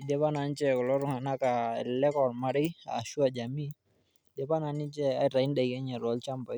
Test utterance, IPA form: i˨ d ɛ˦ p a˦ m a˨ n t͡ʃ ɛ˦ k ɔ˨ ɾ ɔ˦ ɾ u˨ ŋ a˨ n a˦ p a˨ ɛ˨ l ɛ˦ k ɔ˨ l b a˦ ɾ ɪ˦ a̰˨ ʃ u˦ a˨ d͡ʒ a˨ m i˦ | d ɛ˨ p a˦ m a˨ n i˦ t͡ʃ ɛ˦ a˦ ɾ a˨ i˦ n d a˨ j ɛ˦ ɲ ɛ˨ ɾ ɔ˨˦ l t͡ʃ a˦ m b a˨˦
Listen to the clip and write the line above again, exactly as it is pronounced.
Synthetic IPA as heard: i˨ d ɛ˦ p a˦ n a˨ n t͡ʃ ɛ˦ k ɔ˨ l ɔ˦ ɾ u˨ ŋ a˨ n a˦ k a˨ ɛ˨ l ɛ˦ k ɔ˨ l m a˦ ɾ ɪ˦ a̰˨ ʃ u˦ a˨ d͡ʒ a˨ m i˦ | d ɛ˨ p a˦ n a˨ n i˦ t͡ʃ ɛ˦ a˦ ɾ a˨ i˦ n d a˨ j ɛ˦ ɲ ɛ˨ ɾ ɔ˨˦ l t͡ʃ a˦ m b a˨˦